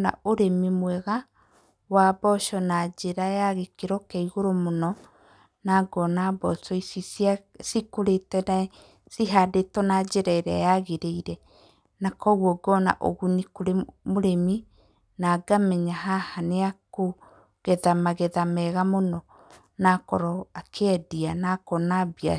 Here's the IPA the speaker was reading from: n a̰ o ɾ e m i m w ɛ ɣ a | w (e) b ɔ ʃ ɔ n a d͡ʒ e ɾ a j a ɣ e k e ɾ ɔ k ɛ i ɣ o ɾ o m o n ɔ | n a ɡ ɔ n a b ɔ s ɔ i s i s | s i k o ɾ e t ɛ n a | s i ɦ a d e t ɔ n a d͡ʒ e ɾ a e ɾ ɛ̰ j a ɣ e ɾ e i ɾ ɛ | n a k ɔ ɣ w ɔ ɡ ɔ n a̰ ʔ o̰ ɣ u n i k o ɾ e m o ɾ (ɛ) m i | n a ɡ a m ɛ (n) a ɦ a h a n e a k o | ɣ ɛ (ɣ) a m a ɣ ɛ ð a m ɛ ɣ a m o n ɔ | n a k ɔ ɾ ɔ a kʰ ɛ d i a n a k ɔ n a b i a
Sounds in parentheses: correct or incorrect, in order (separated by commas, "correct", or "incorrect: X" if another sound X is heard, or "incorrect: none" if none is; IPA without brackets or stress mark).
incorrect: a, incorrect: e, incorrect: ɲ, incorrect: ð